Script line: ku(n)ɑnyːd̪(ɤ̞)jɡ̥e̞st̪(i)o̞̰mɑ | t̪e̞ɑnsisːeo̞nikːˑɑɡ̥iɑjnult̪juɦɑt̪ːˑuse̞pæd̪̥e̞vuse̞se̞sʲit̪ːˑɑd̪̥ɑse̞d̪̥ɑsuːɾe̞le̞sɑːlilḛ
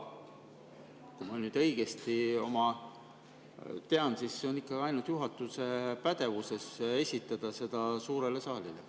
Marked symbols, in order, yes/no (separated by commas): no, yes, yes